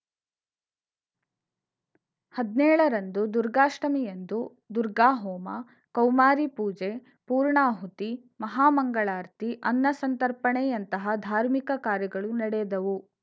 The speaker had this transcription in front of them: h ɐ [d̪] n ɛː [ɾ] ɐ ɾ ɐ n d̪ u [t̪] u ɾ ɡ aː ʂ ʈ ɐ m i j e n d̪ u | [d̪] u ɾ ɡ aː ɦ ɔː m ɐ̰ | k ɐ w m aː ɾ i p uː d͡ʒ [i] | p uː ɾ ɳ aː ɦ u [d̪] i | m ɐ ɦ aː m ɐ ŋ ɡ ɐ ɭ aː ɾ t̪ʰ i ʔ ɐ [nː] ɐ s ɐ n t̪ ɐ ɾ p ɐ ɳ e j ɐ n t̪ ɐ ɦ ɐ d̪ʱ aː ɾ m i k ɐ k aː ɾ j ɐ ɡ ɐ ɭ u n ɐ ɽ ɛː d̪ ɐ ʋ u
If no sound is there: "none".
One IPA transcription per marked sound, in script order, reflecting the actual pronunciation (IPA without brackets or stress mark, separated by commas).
d̪, ɭ, d̪, d̪, e, t̪, nː